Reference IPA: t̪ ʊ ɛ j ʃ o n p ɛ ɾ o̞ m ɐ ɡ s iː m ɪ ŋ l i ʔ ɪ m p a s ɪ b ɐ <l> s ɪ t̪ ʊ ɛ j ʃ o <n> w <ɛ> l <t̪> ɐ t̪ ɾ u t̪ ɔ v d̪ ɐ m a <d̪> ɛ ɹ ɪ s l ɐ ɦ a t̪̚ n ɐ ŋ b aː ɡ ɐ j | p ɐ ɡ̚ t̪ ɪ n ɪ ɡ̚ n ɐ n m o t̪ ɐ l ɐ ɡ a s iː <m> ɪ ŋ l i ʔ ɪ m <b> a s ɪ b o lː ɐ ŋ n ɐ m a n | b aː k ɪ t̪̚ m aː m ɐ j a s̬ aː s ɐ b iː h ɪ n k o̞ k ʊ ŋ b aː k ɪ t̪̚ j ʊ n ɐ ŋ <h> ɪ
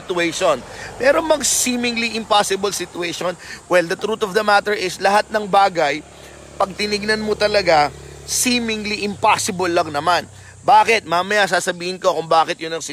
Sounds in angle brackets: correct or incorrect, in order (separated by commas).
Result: correct, correct, correct, incorrect, incorrect, correct, incorrect, incorrect